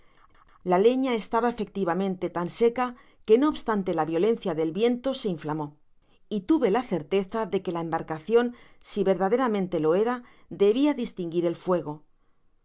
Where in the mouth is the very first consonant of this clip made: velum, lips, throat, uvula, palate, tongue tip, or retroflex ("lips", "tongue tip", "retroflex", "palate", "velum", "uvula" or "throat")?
tongue tip